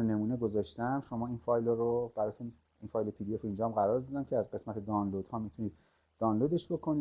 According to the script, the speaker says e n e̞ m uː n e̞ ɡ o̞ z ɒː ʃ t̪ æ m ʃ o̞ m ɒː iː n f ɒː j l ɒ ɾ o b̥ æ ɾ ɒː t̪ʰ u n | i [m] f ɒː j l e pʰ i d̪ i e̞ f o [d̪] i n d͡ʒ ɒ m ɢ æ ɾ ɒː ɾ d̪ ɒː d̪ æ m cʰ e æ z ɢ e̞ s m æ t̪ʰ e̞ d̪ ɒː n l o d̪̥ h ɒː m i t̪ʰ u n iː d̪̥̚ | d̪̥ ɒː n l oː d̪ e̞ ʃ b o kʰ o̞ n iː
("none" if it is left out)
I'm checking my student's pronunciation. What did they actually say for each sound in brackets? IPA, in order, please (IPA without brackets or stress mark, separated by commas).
n, none